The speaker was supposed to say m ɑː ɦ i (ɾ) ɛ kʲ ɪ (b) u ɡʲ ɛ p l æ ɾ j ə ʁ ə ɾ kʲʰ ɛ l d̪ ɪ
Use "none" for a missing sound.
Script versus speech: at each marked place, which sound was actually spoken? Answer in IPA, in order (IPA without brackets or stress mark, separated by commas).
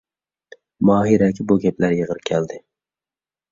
ɾ, b